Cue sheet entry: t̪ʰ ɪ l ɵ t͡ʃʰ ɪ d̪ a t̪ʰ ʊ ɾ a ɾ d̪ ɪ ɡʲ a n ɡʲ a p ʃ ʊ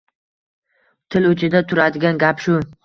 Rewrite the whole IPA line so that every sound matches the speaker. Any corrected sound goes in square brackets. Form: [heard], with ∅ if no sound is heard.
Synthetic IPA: t̪ʰ ɪ l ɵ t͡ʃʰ ɪ d̪ a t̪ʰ ʊ ɾ a [∅] d̪ ɪ ɡʲ a n ɡʲ a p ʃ ʊ